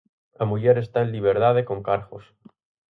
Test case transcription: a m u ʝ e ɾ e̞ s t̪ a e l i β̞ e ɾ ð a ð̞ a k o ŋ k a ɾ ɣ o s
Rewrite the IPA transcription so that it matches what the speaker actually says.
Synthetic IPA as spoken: a m u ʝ e ɾ e̞ s t̪ a e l i β̞ e ɾ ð a ð̞ e k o ŋ k a ɾ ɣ o s